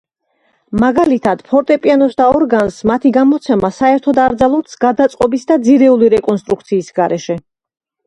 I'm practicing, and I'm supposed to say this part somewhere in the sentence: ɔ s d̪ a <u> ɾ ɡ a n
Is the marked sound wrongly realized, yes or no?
yes